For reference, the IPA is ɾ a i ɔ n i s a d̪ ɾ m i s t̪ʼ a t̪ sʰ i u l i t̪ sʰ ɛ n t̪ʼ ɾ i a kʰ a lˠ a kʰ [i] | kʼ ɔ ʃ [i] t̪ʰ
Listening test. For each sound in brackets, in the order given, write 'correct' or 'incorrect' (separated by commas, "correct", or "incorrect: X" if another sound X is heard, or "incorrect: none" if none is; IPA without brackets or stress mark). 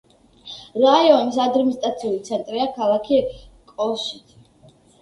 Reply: correct, correct